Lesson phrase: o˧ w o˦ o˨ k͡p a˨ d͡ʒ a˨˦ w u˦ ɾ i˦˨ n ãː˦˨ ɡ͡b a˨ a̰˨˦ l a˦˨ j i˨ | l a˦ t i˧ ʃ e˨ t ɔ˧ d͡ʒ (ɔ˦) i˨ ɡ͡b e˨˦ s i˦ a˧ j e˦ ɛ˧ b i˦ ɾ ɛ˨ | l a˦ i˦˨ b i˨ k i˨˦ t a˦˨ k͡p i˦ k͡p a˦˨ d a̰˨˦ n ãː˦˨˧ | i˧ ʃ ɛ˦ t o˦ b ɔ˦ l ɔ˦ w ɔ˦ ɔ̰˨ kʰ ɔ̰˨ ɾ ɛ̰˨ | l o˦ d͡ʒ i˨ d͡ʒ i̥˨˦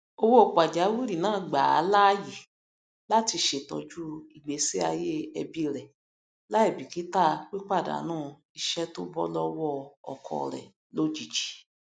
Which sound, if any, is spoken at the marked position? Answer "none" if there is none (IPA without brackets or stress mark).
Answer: u˦